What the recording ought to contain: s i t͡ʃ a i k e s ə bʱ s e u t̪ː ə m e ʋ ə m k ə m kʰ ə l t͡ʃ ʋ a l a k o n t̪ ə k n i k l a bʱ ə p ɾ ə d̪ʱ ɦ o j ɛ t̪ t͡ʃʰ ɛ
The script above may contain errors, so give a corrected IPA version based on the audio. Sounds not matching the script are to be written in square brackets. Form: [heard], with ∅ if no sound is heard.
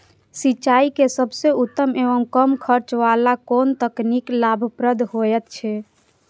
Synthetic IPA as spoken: s i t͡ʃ a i k e s ə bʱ s e u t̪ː ə m e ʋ ə m k ə m kʰ ə [ɾ] t͡ʃ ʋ a l a k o n t̪ ə k n i k l a bʱ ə p ɾ ə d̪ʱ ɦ o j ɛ t̪ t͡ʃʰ ɛ